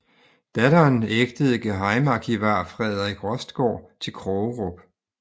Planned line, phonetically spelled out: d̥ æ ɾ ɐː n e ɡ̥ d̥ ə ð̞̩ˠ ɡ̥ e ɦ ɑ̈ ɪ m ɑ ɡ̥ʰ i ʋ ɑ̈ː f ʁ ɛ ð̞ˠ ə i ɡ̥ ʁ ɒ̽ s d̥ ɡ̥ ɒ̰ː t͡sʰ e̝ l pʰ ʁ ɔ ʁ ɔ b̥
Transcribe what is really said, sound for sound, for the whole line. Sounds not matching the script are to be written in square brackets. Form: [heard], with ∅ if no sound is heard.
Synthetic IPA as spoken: d̥ æ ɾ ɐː n e ɡ̥ d̥ ə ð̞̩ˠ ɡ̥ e ɦ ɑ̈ ɪ m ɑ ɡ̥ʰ i ʋ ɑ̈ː f ʁ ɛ ð̞ˠ [ɐ] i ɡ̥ ʁ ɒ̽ s d̥ ɡ̥ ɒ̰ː t͡sʰ e̝ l [kʰ] ʁ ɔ ʁ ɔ b̥